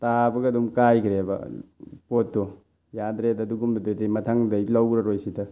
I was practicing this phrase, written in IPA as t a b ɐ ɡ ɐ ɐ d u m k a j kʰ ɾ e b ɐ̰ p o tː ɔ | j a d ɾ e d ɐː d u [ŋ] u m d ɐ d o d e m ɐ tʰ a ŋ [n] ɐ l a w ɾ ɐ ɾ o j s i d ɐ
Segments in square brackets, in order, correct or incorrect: incorrect: ɡ, incorrect: d

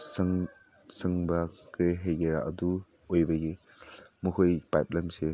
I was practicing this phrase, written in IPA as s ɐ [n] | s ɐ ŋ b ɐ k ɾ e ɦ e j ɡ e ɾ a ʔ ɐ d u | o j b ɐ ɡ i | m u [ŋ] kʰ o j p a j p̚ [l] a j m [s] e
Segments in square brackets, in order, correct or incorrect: incorrect: ŋ, incorrect: none, correct, correct

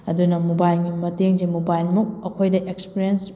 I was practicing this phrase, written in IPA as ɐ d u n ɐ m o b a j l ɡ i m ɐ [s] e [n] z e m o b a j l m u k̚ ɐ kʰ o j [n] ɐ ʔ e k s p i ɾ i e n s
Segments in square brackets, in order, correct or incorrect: incorrect: t, incorrect: ŋ, incorrect: d

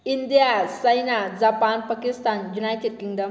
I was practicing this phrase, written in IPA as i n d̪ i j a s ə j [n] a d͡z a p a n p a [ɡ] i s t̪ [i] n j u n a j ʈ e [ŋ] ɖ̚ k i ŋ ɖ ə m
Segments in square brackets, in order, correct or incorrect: correct, incorrect: k, incorrect: a, incorrect: none

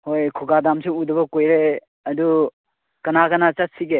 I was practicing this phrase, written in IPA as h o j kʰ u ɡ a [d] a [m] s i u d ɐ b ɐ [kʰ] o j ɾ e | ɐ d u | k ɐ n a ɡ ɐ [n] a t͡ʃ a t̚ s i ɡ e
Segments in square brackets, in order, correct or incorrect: correct, correct, incorrect: k, correct

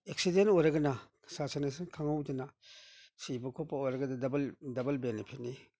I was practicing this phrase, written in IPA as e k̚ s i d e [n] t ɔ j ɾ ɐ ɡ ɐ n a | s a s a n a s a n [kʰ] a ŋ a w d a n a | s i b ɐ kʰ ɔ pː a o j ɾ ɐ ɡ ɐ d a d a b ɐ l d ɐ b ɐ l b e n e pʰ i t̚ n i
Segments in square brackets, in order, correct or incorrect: correct, correct

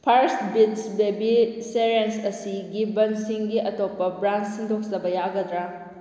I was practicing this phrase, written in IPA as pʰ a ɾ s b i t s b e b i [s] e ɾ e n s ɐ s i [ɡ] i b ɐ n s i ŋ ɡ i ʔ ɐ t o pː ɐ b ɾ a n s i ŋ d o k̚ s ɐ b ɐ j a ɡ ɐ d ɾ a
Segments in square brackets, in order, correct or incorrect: correct, correct

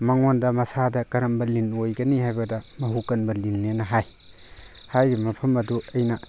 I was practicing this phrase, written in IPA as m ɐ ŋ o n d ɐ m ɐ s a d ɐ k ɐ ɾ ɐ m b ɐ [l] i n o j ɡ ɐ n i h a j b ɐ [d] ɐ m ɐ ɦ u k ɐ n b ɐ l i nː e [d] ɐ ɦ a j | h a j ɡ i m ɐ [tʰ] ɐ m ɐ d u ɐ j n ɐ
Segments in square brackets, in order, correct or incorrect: correct, correct, incorrect: n, incorrect: pʰ

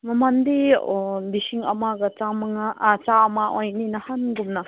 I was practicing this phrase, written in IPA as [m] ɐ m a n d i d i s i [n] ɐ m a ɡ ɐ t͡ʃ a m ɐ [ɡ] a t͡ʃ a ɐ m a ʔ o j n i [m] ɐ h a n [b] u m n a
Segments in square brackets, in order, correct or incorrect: correct, incorrect: ŋ, incorrect: ŋ, incorrect: n, incorrect: ɡ

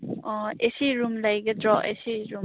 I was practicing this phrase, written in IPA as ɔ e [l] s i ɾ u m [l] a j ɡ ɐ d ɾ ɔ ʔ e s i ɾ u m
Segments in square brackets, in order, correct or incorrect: incorrect: none, correct

